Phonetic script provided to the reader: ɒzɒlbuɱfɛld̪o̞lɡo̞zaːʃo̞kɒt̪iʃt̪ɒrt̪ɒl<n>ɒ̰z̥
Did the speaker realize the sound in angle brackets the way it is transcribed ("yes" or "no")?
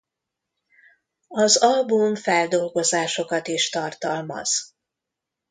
no